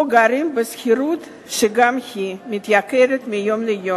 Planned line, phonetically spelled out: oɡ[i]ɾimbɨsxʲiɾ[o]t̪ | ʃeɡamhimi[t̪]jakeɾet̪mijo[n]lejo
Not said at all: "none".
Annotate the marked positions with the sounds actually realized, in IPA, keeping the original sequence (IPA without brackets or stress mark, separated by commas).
a, u, t̪, m